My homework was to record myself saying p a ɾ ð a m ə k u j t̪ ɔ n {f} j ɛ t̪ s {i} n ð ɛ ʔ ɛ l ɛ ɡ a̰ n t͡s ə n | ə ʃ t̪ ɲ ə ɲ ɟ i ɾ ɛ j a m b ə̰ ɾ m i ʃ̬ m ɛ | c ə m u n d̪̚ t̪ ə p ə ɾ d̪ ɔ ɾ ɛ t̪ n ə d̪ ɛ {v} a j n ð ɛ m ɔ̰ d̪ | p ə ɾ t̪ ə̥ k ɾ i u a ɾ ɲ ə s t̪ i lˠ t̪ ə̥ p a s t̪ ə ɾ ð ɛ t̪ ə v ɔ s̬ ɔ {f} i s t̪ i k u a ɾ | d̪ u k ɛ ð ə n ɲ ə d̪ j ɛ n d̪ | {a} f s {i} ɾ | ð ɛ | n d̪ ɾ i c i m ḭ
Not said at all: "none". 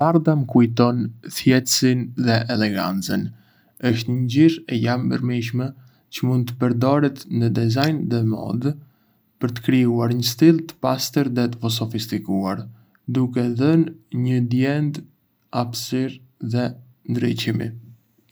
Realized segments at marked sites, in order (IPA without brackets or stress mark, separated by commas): θ, i, z, f, a, i